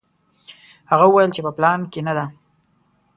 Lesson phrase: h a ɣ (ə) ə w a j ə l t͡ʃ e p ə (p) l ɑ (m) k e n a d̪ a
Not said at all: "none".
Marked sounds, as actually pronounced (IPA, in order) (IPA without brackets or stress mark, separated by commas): a, p, n